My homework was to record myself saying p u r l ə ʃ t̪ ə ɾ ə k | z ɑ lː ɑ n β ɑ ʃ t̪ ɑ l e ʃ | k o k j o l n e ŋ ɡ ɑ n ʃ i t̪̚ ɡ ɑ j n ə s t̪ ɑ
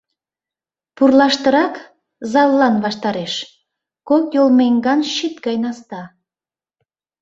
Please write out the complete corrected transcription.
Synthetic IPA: p u r l ɑ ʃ t̪ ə ɾ ɑ k | z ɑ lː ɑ n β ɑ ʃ t̪ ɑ ɾ e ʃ | k o k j o l m e ŋ ɡ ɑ n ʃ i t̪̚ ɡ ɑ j n ɑ s t̪ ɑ